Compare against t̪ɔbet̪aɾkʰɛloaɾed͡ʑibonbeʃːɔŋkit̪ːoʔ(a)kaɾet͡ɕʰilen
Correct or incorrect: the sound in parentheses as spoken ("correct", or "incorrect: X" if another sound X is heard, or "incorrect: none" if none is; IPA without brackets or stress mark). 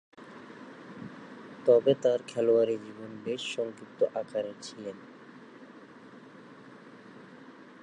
correct